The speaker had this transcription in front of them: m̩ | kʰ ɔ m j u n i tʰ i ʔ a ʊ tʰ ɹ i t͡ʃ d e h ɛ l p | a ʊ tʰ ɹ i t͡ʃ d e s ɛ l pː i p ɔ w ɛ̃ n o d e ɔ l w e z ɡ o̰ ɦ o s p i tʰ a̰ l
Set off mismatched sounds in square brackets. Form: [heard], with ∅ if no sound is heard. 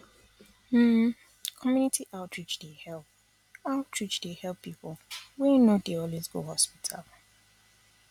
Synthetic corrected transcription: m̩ | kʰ ɔ m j u n i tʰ i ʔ a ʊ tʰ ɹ i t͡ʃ d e h ɛ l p | a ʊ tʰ ɹ i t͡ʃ d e [h] ɛ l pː i p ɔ w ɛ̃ n o d e ɔ l w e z ɡ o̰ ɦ [ɔ] s p i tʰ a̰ l

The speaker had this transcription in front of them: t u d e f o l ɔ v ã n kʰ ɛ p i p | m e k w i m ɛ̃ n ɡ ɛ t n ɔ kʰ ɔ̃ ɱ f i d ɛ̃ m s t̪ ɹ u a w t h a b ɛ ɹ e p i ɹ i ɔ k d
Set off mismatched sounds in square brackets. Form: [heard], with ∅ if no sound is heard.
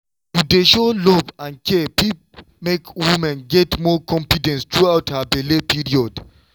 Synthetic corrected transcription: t u d e [ʃ] o l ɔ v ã n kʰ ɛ p i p | m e k w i m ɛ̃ n ɡ ɛ t [m] ɔ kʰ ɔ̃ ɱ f i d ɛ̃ [n] s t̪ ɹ u a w t h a b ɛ [l] e p i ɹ i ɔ [∅] d

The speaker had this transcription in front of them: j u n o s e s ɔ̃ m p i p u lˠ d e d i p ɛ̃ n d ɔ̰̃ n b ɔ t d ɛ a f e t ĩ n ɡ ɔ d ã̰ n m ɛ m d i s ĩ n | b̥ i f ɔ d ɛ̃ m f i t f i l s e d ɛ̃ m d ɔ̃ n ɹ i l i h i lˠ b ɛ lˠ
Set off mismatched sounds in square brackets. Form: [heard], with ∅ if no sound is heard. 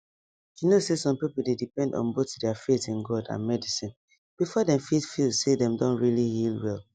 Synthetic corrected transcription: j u n o s e s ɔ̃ m p i p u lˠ d e d i p ɛ̃ n d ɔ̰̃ n b [o] t d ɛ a f e t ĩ n ɡ ɔ d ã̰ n m ɛ [∅] d i s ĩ n | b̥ i f ɔ d ɛ̃ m f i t f i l s e d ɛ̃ m d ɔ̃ n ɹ i l i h i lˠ [w] ɛ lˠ

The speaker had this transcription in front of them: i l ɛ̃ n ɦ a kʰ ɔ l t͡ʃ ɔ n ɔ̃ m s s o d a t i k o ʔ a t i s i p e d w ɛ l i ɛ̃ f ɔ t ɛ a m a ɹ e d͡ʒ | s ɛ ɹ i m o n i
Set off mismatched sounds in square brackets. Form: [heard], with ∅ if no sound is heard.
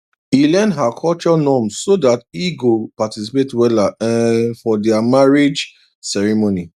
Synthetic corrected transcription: i l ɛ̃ n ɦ a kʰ ɔ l t͡ʃ ɔ n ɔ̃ m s s o d a t i [ɡ] o [p] a t i s i p e [t] w ɛ l [a] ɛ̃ f ɔ [d] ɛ a m a ɹ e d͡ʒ | s ɛ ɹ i m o n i

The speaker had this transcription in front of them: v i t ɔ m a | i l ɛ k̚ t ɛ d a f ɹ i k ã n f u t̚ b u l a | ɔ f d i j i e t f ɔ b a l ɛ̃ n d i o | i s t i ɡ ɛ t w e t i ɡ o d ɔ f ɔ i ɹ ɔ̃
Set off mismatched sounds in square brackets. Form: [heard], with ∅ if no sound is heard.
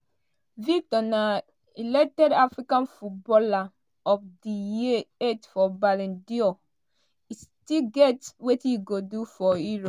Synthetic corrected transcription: v i t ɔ [n] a | i l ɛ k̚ t ɛ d a f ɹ i k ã n f u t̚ b [ɔ] l a | ɔ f d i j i e t f ɔ b a l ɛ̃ n d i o | i s t i ɡ ɛ t w e t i ɡ o d [u] f ɔ i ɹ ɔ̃

